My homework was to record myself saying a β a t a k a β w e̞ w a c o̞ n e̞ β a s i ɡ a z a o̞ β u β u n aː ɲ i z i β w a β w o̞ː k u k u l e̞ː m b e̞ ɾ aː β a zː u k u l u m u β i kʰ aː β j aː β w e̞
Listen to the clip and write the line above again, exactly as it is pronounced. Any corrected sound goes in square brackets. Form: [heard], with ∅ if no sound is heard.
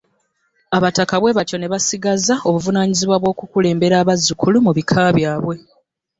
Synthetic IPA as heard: a β a t a k a β w e̞ [β] a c o̞ n e̞ β a s i ɡ a z a o̞ β u [v] u n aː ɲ i z i β w a β w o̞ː k u k u l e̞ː m b e̞ ɾ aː β a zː u k u l u m u β i kʰ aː β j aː β w e̞